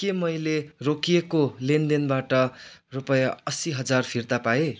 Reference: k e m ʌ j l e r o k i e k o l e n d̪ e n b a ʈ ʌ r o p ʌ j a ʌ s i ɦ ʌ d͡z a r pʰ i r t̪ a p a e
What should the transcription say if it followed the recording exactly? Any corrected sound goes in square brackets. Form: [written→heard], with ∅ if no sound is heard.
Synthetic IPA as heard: k e m ʌ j l e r o k i e k o l e n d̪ e n b a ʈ ʌ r [o→u] p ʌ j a ʌ s i ɦ ʌ d͡z a r pʰ i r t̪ a p a e